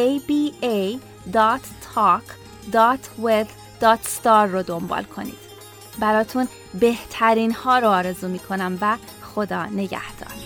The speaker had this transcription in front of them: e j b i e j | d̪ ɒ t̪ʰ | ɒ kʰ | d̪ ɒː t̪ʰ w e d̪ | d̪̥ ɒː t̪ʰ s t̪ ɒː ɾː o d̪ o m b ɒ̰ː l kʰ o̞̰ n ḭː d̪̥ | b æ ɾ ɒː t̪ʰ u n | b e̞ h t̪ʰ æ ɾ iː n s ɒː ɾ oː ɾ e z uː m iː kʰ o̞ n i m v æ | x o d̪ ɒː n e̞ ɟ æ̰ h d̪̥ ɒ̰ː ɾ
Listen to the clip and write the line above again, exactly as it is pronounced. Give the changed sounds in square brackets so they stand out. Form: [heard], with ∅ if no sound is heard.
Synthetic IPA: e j b i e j | d̪ ɒ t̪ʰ | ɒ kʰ | d̪ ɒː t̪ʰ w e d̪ | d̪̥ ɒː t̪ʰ s t̪ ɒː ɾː o d̪ o m b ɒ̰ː l kʰ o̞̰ n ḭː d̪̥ | b æ ɾ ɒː t̪ʰ u n | b e̞ h t̪ʰ æ ɾ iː n [h] ɒː ɾ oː ɾ e z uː m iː kʰ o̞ n [æ] m v æ | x o d̪ ɒː n e̞ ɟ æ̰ h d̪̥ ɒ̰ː ɾ